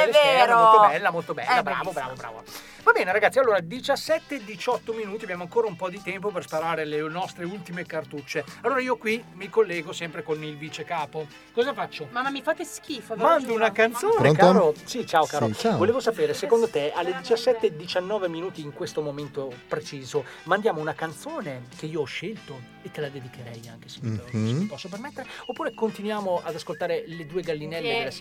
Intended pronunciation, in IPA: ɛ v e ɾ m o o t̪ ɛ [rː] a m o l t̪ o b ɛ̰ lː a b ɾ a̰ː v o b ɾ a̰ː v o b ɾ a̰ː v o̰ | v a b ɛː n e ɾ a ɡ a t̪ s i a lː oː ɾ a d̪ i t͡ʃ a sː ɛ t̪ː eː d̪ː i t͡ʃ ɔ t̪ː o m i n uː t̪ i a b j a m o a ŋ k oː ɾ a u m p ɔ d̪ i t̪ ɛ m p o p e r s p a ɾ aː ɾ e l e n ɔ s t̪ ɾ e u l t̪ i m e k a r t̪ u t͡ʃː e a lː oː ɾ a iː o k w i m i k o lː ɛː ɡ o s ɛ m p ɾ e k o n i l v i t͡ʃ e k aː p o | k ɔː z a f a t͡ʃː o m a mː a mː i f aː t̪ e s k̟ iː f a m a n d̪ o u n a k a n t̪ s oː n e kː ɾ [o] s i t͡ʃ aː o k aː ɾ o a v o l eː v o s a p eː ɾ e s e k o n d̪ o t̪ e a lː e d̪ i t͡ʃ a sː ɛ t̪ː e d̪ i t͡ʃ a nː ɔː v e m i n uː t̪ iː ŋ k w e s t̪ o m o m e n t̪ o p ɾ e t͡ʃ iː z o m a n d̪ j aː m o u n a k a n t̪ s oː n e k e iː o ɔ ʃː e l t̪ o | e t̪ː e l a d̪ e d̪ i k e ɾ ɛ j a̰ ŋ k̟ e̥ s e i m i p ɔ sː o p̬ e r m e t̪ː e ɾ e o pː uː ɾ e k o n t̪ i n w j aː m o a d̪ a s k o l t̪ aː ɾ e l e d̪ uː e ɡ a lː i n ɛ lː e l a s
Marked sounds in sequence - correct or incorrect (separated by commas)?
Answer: incorrect, correct